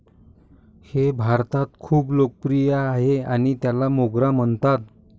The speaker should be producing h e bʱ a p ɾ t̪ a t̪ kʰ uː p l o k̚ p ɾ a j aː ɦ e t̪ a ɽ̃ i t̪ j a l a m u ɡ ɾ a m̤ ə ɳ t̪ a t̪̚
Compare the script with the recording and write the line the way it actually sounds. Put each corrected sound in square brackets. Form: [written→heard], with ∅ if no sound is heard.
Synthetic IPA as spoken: h e bʱ a [p→∅] ɾ t̪ a t̪ kʰ uː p l o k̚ p ɾ [a→i] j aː ɦ e [t̪→∅] a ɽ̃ i t̪ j a l a m [u→o] ɡ ɾ a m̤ ə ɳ t̪ a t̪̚